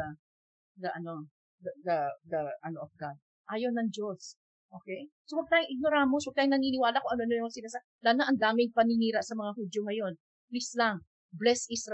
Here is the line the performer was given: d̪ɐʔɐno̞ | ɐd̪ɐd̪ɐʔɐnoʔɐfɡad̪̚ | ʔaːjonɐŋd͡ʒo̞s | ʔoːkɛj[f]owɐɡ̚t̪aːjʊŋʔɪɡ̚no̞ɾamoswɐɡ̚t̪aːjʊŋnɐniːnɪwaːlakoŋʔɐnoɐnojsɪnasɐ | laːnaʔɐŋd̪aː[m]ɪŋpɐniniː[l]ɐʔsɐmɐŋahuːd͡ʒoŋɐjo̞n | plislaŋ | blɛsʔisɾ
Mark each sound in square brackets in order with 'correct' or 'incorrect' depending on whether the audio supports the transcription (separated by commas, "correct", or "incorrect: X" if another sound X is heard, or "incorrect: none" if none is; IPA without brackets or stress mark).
incorrect: s, correct, incorrect: ɾ